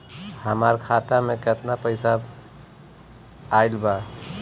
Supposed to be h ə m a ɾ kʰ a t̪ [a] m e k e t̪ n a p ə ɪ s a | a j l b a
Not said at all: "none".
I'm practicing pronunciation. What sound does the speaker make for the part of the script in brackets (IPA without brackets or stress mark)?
a